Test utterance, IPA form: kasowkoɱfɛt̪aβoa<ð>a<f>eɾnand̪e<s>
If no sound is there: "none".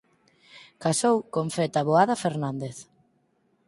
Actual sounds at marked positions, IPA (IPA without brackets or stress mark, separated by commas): ð, f, θ